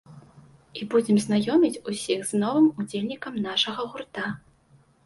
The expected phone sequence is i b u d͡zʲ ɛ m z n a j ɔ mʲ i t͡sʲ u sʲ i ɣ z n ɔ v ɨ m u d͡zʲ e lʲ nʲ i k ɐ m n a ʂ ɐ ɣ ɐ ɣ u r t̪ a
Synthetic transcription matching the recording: i b u d͡zʲ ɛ m z n a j ɔ mʲ i t͡sʲ u sʲ i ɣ z n ɔ v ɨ m u d͡zʲ e lʲ nʲ i k ɐ m n a ʂ ɐ ɣ ɐ ɣ u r t̪ a